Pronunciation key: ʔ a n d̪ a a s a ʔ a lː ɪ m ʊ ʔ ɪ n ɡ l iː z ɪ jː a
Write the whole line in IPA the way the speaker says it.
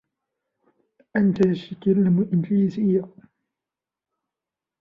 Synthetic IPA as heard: ʔ a n t̪ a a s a k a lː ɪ m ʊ ʔ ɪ n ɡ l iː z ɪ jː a